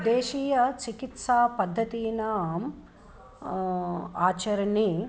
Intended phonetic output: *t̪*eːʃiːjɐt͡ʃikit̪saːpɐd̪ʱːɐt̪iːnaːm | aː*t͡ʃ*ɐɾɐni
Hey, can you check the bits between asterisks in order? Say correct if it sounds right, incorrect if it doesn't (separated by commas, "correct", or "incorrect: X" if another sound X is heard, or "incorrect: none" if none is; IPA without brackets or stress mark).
incorrect: d̪, correct